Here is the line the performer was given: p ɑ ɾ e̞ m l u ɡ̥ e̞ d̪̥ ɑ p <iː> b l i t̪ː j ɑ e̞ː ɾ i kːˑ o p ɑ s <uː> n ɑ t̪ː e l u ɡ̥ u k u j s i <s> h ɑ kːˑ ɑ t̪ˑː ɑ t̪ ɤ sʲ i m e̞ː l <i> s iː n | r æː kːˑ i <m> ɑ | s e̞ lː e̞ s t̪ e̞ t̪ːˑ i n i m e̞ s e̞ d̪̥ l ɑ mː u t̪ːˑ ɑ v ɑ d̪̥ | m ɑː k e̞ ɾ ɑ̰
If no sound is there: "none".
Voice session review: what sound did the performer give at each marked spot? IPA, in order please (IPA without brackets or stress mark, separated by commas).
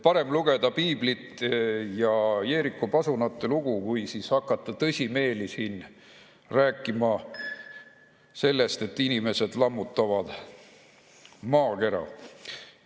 iː, u, s, i, m